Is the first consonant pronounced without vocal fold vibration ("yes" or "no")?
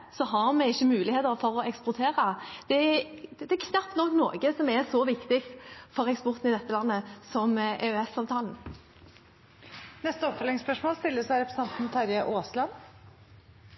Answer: yes